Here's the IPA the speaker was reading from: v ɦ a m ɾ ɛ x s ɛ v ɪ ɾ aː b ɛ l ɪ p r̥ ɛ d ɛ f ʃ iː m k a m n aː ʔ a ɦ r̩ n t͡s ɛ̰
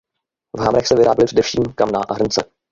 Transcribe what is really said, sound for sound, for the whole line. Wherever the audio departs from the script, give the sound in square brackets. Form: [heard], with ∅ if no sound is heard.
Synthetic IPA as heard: v ɦ a m ɾ ɛ x s ɛ v ɪ ɾ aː b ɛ l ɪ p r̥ ɛ d ɛ f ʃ iː m k a m n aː ʔ a ɦ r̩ n t͡s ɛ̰